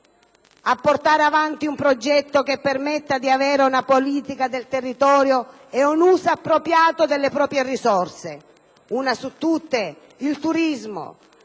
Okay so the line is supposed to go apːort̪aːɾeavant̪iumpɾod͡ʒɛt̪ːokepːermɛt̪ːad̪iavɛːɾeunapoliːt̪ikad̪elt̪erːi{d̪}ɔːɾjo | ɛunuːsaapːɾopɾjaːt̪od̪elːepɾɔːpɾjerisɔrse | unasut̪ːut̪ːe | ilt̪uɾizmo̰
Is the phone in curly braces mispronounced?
yes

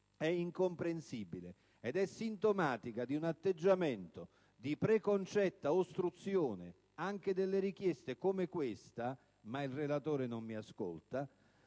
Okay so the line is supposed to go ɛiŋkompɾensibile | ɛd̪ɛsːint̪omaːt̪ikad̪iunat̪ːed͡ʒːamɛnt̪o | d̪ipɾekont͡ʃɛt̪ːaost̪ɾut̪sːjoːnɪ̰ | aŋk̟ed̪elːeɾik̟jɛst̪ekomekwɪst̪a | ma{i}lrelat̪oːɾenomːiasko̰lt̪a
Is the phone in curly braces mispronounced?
no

